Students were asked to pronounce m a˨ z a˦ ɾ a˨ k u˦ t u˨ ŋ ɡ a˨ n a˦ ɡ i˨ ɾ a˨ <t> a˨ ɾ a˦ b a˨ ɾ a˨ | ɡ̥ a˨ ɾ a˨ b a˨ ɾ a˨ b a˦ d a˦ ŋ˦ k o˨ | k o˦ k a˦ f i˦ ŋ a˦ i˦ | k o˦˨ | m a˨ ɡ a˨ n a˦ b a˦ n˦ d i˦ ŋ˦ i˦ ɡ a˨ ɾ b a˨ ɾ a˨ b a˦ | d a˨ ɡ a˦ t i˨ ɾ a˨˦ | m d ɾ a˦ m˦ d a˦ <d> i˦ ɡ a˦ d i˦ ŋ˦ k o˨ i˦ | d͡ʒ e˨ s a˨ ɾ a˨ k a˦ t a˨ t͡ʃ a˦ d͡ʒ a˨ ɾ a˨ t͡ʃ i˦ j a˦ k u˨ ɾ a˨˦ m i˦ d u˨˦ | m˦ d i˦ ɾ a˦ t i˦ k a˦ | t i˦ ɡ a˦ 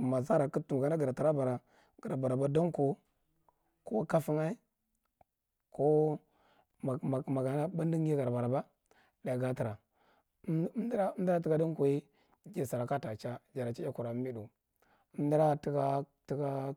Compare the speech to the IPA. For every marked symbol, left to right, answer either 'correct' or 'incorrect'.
correct, incorrect: t

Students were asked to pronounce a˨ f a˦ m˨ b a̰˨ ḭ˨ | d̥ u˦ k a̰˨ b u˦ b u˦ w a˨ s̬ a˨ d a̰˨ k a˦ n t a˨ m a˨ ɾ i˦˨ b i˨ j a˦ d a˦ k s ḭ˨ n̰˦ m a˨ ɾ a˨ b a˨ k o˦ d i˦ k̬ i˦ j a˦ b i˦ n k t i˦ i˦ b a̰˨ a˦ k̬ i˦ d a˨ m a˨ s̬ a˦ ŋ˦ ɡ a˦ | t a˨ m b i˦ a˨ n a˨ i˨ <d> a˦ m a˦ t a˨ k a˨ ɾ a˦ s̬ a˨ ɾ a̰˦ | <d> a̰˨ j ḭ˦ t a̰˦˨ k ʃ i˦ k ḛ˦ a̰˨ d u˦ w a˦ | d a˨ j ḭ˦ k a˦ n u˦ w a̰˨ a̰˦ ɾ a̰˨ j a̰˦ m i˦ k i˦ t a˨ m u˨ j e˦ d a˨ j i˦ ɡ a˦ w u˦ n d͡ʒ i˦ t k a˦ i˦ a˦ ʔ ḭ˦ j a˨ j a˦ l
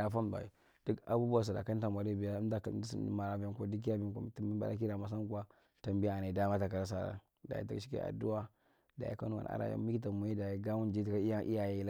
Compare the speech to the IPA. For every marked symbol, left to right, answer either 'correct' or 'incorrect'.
correct, correct

